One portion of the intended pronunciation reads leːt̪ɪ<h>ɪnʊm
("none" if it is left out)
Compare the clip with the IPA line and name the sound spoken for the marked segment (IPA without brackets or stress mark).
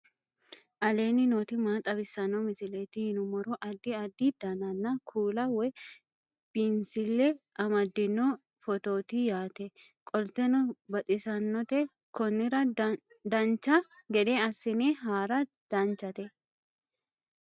h